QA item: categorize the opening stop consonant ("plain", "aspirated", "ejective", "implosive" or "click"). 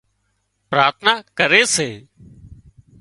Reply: plain